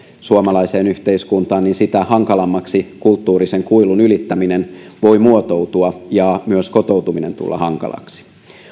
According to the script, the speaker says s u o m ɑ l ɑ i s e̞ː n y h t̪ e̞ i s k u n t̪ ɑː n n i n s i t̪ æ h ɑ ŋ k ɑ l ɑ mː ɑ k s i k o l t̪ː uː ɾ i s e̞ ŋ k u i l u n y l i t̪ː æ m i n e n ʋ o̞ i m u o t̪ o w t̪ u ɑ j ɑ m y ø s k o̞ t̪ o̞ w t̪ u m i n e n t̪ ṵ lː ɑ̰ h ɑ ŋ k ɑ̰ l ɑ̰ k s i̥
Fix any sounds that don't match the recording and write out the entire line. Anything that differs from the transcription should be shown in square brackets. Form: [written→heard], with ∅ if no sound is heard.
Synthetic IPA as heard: s u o m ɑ l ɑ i s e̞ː n y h t̪ e̞ i s k u n t̪ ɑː n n i n s i t̪ æ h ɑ ŋ k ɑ l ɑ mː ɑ k s i k [o→u] l t̪ː uː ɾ i s e̞ ŋ k u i l u n y l i t̪ː æ m i n e n ʋ o̞ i m u o t̪ o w t̪ u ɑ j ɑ m y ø s k o̞ t̪ o̞ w t̪ u m i n e n t̪ ṵ lː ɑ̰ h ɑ ŋ k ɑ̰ l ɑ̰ k s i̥

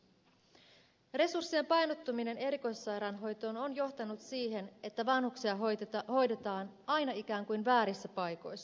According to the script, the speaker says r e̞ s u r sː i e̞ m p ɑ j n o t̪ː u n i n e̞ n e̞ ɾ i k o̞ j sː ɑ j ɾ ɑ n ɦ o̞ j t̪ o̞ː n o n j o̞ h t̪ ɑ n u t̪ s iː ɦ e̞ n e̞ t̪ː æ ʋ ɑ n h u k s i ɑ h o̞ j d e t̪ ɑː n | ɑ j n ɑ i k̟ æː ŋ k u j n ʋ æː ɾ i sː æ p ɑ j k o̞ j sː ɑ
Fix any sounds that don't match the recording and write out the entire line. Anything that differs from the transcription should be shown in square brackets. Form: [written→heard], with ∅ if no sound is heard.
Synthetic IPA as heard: r e̞ s u r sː i e̞ m p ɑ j n o t̪ː u [n→m] i n e̞ n e̞ ɾ i k o̞ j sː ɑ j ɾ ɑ n ɦ o̞ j t̪ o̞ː n o n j o̞ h t̪ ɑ n u t̪ s iː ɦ e̞ n e̞ t̪ː æ ʋ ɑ n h u k s i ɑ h o̞ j d e t̪ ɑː n | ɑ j n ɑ i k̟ æː ŋ k u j n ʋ æː ɾ i sː æ p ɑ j k o̞ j sː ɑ

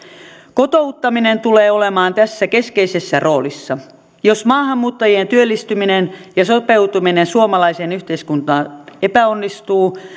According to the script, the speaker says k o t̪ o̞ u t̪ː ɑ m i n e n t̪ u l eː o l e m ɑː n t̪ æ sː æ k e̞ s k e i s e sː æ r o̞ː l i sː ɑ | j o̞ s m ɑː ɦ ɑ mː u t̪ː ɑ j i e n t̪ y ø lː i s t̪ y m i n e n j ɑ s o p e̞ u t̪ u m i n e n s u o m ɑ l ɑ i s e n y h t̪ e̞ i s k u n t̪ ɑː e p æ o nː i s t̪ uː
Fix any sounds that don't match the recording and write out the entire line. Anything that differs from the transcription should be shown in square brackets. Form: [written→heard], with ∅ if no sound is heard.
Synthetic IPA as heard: k o t̪ o̞ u t̪ː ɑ m i n e n t̪ u l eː o l e m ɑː n t̪ æ sː æ k e̞ s k e i s e sː æ r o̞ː l i sː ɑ | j o̞ s m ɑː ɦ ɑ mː [u→uː] t̪ː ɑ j i e n t̪ y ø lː i s t̪ y m i n e n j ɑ s o p e̞ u t̪ u m i n e n s u o m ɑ l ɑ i s e n y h t̪ e̞ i s k u n t̪ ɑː e p æ o nː i s t̪ uː

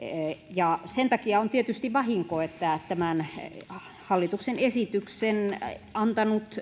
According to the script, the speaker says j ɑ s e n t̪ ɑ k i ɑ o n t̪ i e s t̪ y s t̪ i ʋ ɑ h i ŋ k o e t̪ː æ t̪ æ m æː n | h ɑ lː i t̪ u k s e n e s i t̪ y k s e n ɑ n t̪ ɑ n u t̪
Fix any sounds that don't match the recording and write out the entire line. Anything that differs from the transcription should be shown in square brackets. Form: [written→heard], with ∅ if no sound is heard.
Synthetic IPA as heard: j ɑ s e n t̪ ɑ k i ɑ o n t̪ i e [s→∅] t̪ y s t̪ i ʋ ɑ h i ŋ k o e t̪ː æ t̪ æ m [æː→æ] n | h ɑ lː i t̪ u k s e n e s i t̪ y k s e n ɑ n t̪ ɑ n u t̪

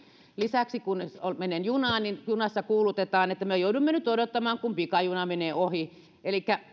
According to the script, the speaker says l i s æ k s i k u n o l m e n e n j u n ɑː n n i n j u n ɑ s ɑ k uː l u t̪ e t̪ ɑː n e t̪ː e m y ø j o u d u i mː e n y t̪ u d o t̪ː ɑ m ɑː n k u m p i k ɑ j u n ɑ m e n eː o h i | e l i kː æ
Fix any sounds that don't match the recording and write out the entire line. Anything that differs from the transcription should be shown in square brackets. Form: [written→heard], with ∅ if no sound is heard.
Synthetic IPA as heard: l i s æ k s i k u n o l m e n e n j u n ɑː n n i n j u n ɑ [s→sː] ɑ k uː l u t̪ e t̪ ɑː n e t̪ː [e→æ] m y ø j o u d u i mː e n y t̪ [u→o] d o t̪ː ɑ m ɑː [n→ŋ] k u m p i k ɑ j u n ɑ m e n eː o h i | e l i kː æ

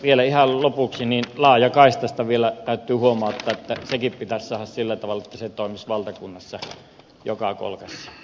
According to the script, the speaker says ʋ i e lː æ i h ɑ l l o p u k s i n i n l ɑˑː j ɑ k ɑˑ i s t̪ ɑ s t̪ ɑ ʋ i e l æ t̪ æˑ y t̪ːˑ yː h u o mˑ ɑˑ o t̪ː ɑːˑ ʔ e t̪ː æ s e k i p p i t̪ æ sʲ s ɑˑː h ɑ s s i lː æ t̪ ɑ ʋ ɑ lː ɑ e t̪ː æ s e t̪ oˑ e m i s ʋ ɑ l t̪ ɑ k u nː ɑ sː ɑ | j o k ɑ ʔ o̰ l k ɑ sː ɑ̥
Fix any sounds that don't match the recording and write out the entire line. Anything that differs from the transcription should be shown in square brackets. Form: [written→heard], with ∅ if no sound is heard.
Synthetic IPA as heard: ʋ i e [lː→l] æ i h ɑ l l o p u k s i n i n l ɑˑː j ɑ k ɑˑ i s t̪ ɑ s t̪ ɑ ʋ i e l æ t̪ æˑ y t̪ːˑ yː h u o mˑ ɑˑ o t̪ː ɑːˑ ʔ e t̪ː æ s e k i p p i t̪ æ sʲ s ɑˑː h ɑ s s i lː æ t̪ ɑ ʋ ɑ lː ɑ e t̪ː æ s e t̪ oˑ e m i s ʋ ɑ l t̪ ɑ k u nː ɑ sː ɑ | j o k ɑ [ʔ→k] o̰ l k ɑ sː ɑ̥

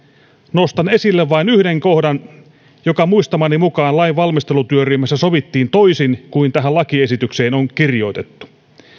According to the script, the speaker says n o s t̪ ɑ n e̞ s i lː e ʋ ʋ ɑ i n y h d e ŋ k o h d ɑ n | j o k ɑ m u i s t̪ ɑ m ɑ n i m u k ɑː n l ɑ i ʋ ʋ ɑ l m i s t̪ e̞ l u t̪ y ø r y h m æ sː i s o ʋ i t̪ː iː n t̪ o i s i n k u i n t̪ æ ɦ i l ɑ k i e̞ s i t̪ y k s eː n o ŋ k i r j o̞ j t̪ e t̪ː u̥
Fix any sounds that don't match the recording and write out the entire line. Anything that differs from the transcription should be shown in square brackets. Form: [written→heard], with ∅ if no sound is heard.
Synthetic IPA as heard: n o s t̪ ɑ n e̞ s i lː e ʋ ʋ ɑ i n y h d e ŋ k o h d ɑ n | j o k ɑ m u i s t̪ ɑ m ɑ n i m u k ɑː n l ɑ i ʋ ʋ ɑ l m i s t̪ e̞ l u t̪ y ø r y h m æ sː [i→æ] s o ʋ i t̪ː iː n t̪ o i s i n k u i n t̪ æ ɦ [i→æ] l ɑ k i e̞ s i t̪ y k s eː n o ŋ k i r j o̞ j t̪ e t̪ː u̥

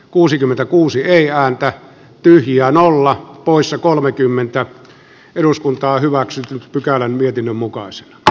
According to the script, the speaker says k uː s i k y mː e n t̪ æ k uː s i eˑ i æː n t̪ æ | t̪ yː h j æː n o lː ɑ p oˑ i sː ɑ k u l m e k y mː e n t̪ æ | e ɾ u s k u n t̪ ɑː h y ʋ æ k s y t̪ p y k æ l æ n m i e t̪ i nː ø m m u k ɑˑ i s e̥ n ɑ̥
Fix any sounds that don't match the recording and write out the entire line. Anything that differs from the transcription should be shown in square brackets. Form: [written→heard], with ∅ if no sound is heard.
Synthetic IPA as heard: k uː s i k y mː e n t̪ æ k uː s i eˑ i æː n t̪ æ | t̪ [yː→y] h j æː n o lː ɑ p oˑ i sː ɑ k [u→o] l m e k y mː e n t̪ æ | e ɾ u s k u n t̪ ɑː h y ʋ æ k s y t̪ p y k æ l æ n m i e t̪ i nː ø m m u k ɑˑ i s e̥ n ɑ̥

